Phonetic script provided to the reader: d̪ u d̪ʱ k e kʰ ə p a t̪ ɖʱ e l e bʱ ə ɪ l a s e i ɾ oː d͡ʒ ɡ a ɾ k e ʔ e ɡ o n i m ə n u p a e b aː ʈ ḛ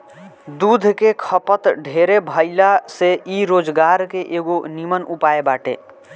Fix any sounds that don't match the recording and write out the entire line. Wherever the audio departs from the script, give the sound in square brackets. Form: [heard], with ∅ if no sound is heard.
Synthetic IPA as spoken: d̪ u d̪ʱ k e kʰ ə p [ə] t̪ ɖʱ e [ɾ] e bʱ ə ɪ l a s e i ɾ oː d͡ʒ ɡ a ɾ k e ʔ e ɡ o n i m ə n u p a e b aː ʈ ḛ